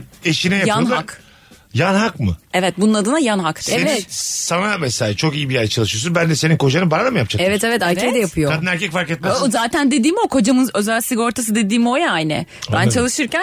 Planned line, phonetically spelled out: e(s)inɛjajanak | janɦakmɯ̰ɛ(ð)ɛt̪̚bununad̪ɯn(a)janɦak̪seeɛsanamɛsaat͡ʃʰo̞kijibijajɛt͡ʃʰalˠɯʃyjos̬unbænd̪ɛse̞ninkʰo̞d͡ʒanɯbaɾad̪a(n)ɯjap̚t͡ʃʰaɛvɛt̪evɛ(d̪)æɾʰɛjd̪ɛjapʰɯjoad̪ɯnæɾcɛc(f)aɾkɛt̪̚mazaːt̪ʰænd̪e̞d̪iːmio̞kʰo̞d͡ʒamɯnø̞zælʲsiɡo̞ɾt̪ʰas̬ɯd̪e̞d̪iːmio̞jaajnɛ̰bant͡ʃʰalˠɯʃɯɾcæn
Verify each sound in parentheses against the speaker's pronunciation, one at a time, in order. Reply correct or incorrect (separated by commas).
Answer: incorrect, incorrect, correct, incorrect, incorrect, correct